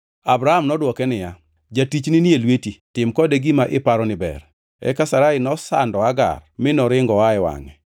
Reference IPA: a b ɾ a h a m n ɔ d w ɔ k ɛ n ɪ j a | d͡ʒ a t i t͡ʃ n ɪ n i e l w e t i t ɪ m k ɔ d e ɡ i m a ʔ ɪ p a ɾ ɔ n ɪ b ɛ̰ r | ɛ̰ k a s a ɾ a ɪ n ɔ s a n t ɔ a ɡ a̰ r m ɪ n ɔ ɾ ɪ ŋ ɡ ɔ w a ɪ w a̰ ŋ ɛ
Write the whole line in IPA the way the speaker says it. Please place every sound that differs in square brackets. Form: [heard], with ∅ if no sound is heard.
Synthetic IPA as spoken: a b ɾ a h a m n ɔ d w ɔ k ɛ n ɪ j a | d͡ʒ a t i t͡ʃ n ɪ n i e l w e t i t ɪ m k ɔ d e ɡ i m a ʔ ɪ p a ɾ ɔ n ɪ b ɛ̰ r | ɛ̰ k a s a ɾ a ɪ n ɔ s a n [d] ɔ a ɡ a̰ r m ɪ n ɔ ɾ ɪ ŋ ɡ ɔ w a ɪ w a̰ ŋ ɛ